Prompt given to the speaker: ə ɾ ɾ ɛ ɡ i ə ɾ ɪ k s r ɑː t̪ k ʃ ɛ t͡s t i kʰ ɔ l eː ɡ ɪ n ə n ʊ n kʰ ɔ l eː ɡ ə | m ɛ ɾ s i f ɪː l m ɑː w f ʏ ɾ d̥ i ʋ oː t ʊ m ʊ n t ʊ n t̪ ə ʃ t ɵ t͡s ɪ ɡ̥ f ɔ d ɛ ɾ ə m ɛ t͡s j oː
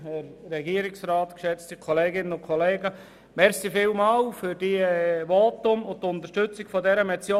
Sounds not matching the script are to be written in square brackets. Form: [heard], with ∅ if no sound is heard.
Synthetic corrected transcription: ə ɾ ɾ ɛ ɡ i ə ɾ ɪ k s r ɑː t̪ k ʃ ɛ t͡s t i kʰ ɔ l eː ɡ ɪ n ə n ʊ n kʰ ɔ l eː ɡ ə | m ɛ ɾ s i f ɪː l m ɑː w f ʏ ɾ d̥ i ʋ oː t ʊ m ʊ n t ʊ n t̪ ə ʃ t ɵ t͡s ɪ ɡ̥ f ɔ d ɛ ɾ ə m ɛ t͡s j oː